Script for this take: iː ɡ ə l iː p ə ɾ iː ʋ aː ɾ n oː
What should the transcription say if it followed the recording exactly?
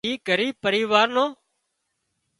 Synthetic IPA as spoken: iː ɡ ə ɾ iː p ə ɾ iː ʋ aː ɾ n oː